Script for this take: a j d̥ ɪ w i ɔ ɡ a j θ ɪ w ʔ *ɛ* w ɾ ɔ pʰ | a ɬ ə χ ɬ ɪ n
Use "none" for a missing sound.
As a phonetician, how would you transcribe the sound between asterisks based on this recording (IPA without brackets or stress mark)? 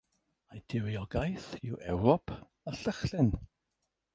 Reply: ɛ